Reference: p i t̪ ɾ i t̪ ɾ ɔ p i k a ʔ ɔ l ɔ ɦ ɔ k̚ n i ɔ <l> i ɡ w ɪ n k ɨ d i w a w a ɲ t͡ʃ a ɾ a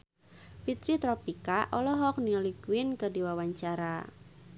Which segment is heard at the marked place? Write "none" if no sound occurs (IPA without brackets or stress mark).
l